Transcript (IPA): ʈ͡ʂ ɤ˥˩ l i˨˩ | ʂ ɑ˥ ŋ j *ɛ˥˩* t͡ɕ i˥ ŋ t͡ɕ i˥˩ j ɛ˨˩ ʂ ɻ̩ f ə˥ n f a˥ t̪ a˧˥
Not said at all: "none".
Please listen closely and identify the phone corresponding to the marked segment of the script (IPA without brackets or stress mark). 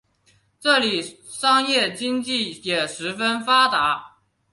ɛ˥˩